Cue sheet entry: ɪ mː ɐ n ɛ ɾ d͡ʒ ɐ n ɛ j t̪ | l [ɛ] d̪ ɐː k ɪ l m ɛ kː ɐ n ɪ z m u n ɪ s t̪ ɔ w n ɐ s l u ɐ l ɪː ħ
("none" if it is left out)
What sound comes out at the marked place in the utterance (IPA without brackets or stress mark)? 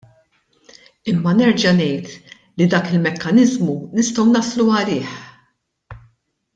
i